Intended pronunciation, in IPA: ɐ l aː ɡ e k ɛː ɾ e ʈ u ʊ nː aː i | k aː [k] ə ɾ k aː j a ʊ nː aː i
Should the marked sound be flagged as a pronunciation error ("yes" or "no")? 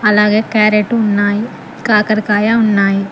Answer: no